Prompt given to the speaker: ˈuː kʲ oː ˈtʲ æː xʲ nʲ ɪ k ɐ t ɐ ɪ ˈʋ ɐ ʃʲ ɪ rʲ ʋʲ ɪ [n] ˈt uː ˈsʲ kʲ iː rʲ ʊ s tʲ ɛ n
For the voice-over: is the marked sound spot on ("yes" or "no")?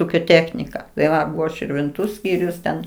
yes